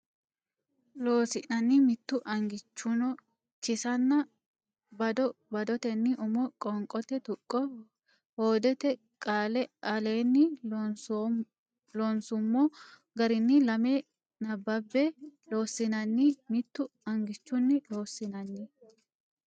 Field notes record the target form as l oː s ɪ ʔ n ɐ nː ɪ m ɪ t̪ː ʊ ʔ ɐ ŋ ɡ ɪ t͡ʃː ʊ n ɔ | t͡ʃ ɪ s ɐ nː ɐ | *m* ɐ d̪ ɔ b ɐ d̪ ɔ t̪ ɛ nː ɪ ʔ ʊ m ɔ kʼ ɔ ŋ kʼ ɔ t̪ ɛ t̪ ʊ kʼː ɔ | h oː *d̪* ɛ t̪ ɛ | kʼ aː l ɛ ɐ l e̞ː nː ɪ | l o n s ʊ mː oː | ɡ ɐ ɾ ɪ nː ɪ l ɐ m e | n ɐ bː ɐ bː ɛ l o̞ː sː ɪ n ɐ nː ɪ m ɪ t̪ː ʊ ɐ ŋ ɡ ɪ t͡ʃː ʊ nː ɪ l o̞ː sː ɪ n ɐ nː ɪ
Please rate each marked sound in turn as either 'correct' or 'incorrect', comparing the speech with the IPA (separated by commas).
incorrect, correct